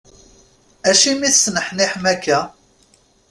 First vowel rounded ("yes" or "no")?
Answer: no